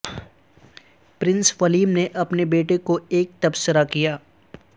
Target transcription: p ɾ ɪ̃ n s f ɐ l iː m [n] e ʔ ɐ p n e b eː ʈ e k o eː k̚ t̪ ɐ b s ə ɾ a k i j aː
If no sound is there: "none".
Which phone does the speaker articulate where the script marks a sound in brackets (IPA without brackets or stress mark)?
n